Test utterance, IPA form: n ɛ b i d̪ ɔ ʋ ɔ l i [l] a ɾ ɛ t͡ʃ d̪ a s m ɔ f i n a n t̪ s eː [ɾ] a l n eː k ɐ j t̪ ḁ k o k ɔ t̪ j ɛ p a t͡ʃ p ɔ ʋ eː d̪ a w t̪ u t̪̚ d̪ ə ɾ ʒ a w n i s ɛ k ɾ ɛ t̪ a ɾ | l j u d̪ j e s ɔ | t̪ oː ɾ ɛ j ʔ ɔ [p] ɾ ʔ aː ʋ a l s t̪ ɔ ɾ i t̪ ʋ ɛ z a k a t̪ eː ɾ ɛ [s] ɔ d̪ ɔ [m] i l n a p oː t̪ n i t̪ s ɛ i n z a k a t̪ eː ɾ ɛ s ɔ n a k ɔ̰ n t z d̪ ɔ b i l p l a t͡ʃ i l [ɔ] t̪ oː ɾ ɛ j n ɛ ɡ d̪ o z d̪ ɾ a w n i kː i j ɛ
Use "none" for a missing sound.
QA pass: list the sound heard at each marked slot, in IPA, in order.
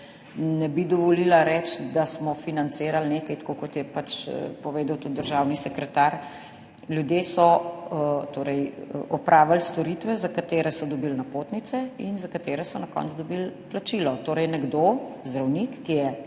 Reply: l, ɾ, p, s, b, ɔ

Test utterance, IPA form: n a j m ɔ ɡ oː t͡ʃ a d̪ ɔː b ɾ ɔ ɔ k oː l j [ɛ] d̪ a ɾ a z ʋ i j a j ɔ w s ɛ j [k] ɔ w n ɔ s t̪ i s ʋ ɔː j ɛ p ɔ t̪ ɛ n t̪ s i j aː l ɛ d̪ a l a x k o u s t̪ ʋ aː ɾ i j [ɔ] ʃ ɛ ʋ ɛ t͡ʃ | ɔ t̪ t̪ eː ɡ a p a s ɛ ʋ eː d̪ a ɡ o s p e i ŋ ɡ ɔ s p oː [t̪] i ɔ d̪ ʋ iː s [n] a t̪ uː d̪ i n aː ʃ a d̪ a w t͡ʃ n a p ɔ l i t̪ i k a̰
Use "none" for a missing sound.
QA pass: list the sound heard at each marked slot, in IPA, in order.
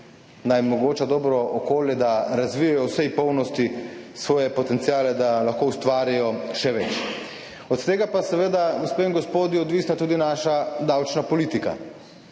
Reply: ɛ, p, ɔ, d̪, n

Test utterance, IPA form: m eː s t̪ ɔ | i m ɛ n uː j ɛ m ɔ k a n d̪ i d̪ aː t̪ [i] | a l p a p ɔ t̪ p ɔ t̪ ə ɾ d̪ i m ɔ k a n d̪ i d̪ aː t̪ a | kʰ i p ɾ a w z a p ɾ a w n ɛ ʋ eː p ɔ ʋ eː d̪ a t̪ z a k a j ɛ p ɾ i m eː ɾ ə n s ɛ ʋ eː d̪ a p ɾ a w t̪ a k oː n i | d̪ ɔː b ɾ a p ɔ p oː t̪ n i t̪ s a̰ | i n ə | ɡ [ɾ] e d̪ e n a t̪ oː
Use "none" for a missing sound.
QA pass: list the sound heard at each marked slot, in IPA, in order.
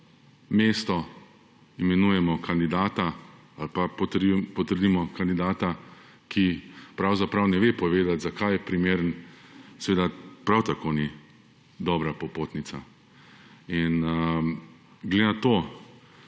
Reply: a, l

